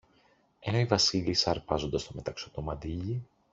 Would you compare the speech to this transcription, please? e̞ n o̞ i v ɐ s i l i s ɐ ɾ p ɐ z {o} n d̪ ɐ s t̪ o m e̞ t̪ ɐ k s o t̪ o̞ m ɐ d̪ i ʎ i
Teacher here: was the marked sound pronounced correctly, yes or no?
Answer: yes